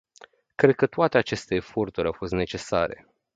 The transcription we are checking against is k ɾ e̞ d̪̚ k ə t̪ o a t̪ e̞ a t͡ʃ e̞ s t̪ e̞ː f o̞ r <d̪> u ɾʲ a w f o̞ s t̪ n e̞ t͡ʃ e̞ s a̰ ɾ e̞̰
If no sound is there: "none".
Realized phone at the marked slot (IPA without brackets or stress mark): t̪